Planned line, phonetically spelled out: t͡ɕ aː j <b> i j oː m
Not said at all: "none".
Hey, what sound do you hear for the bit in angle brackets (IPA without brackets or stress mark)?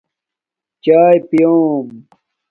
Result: p